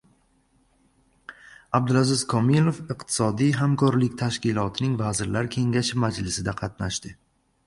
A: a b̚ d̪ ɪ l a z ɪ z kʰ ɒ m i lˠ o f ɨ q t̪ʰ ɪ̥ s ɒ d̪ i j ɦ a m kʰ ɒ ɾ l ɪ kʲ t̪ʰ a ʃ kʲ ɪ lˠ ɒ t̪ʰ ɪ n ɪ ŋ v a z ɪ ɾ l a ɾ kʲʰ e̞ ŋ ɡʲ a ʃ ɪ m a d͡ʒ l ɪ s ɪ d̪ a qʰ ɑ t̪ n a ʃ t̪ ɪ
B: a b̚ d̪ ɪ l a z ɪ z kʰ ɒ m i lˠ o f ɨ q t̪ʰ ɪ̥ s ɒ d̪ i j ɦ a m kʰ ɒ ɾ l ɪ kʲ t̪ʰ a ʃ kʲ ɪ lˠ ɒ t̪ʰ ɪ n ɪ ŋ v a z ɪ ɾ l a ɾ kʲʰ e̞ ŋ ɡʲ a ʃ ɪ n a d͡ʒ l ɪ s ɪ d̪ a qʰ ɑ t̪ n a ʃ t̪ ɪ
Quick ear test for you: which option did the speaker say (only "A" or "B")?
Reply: A